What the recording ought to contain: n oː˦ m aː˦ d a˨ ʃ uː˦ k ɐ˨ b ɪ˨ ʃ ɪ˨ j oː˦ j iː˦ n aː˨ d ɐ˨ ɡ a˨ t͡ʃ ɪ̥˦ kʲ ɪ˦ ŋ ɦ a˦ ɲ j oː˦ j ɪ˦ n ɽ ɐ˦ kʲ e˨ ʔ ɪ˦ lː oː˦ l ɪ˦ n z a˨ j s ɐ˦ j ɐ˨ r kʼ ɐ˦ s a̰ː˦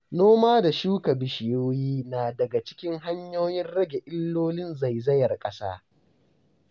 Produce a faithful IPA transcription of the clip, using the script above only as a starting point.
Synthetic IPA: n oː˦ m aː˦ d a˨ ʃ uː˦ k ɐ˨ b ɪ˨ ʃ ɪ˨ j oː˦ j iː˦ n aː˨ d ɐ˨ ɡ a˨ t͡ʃ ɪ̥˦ kʲ ɪ˦ ŋ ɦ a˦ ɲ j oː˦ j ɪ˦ n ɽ ɐ˦ ɡʲ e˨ ʔ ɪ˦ lː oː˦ l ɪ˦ n z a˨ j z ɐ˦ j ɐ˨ r kʼ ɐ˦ s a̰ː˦